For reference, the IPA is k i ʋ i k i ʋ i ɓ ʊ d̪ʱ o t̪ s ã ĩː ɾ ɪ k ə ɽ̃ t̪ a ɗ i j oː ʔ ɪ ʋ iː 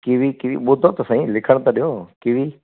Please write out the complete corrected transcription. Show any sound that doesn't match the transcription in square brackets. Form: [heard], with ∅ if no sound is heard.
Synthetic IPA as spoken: k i ʋ i k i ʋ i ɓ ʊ d̪ʱ o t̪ s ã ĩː [l] ɪ [kʰ] ə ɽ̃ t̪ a ɗ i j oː [k] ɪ ʋ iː